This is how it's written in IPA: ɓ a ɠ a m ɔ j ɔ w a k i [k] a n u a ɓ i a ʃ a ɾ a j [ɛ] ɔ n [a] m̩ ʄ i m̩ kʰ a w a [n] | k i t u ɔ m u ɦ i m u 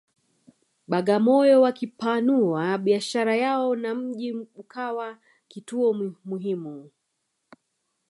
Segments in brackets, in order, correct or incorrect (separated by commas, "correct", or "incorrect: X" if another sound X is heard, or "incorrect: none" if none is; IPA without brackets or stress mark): incorrect: p, incorrect: a, correct, incorrect: none